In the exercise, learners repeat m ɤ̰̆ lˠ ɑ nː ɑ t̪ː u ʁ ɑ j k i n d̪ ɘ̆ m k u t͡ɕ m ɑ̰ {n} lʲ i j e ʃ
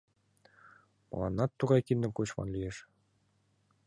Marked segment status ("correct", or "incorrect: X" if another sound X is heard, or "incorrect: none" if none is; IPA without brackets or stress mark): correct